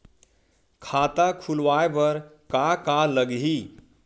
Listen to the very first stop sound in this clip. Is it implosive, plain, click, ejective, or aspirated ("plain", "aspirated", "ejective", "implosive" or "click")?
aspirated